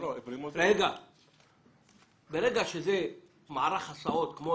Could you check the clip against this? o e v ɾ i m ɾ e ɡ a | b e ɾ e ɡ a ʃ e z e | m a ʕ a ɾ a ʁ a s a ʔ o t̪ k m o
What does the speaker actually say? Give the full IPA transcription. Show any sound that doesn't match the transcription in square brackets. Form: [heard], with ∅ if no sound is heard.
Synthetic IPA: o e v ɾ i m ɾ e ɡ a | b e ɾ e ɡ a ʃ e z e | m a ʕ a ɾ a [χ] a s a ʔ o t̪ k m o